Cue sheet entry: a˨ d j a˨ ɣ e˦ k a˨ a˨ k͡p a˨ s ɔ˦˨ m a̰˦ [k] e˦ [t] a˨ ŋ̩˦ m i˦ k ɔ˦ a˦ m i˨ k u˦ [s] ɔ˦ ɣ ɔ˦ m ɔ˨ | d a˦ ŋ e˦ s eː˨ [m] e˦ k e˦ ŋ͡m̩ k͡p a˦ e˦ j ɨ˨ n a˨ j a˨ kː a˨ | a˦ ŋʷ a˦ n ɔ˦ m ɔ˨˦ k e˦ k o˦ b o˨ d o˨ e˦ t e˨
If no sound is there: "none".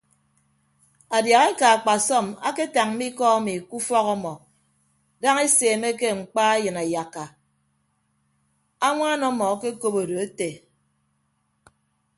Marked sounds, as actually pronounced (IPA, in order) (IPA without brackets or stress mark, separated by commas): k, t, f, m